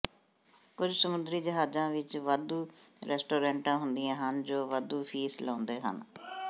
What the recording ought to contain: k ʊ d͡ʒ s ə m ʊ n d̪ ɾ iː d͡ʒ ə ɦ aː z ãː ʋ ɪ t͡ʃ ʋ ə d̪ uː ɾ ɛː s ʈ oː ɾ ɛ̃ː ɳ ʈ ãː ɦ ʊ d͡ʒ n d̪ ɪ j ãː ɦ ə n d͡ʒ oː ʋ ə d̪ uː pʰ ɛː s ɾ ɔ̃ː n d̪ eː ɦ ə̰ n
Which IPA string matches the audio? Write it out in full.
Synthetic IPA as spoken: k ʊ d͡ʒ s ə m ʊ n d̪ ɾ iː d͡ʒ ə ɦ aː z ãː ʋ ɪ t͡ʃ ʋ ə d̪ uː ɾ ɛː s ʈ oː ɾ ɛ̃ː ɳ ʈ ãː ɦ ʊ n d̪ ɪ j ãː ɦ ə n d͡ʒ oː ʋ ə d̪ uː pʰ iː s l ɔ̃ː n d̪ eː ɦ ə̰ n